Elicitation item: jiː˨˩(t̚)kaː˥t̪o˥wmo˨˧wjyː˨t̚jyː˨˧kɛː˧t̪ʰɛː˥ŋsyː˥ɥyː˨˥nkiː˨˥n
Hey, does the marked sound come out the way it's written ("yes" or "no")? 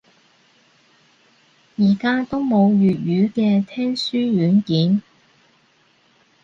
no